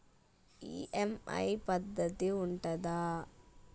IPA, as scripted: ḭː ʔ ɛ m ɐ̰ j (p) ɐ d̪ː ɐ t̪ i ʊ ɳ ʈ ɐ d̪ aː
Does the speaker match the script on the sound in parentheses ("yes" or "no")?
yes